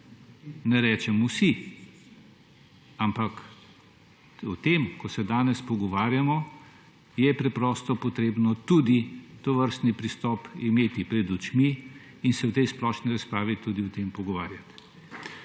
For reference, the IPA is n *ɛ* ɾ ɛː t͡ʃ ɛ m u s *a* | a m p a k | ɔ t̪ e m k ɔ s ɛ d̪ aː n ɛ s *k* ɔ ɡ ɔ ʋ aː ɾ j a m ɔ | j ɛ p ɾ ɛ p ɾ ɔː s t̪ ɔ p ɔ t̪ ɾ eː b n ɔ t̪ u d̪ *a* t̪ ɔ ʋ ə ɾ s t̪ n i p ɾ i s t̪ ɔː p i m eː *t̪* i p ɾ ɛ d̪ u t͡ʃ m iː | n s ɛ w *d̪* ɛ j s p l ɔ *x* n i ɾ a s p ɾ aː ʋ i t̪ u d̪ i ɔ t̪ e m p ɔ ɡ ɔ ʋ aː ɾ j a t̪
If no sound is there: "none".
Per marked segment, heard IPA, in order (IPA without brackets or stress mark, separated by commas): ɛ, i, p, i, t̪, t̪, ʃ